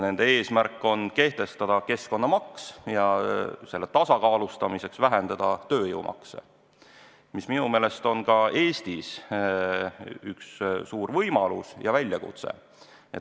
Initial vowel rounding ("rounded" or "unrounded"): unrounded